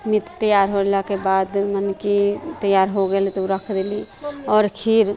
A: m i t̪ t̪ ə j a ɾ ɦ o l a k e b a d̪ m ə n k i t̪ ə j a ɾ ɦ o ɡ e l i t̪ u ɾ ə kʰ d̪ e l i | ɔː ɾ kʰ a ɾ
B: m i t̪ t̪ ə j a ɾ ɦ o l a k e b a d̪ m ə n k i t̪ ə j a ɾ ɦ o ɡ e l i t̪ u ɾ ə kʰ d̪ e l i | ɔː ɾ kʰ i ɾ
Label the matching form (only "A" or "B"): B